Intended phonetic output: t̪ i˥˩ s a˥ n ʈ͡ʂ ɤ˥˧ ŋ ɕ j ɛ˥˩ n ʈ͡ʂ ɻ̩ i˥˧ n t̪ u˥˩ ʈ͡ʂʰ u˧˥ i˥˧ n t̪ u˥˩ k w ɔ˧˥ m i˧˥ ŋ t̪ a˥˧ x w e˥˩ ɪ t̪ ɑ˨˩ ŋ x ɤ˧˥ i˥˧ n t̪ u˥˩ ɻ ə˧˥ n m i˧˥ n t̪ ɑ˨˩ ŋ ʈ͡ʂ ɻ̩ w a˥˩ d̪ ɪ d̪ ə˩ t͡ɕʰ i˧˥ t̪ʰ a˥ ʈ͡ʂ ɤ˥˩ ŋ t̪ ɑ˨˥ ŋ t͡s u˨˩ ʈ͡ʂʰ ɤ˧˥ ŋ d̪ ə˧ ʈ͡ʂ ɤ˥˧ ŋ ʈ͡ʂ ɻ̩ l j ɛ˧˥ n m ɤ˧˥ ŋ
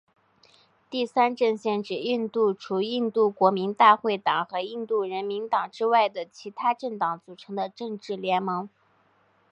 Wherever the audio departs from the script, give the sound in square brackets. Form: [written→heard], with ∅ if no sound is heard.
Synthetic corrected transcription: t̪ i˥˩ s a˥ n ʈ͡ʂ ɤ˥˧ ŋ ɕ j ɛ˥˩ n ʈ͡ʂ ɻ̩ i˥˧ n t̪ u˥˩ ʈ͡ʂʰ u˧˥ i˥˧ n t̪ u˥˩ k w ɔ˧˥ m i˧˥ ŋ t̪ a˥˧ x w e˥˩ ɪ t̪ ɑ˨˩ ŋ x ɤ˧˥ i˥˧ n t̪ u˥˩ ɻ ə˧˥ n m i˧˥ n t̪ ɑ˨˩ ŋ ʈ͡ʂ ɻ̩ w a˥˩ [d̪→∅] ɪ d̪ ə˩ t͡ɕʰ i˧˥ t̪ʰ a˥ ʈ͡ʂ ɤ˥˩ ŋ t̪ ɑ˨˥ ŋ t͡s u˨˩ ʈ͡ʂʰ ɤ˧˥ ŋ d̪ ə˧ ʈ͡ʂ ɤ˥˧ ŋ ʈ͡ʂ ɻ̩ l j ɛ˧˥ n m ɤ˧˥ ŋ